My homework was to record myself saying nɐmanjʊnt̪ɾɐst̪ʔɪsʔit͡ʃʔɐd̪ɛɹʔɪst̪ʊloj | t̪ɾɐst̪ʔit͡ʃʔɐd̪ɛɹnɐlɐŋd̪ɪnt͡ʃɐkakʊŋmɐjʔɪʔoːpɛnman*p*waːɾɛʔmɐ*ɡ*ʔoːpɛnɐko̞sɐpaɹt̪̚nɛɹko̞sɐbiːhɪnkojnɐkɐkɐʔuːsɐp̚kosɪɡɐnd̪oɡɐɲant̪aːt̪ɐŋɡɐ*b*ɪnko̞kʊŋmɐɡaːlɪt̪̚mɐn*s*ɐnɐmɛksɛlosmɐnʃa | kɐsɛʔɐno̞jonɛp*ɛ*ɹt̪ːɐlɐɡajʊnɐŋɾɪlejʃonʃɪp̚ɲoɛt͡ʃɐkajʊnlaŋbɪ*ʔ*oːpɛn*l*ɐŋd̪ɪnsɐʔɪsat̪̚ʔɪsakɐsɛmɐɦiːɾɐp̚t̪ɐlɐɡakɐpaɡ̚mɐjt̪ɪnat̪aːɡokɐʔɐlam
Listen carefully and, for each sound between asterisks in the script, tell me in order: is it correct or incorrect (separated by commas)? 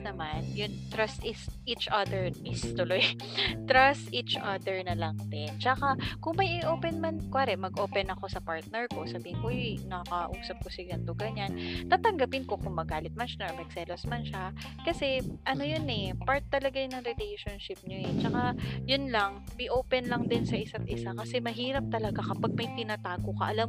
incorrect, correct, incorrect, incorrect, incorrect, correct, correct